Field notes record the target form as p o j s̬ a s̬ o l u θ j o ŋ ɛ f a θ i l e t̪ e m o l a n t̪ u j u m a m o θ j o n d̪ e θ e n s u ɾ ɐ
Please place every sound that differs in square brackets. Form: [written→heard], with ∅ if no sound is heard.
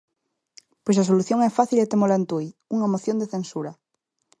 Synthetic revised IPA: p o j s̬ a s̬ o l u θ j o ŋ ɛ f a θ i l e t̪ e m o l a n t̪ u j u [m→ŋ] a m o θ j o n d̪ e θ e n s u ɾ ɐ